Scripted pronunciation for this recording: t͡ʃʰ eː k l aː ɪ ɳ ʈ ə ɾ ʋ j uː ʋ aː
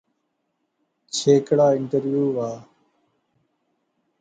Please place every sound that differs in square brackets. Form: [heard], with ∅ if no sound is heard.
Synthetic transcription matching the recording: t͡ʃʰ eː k [ɽ] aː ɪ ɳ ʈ ə ɾ ʋ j uː ʋ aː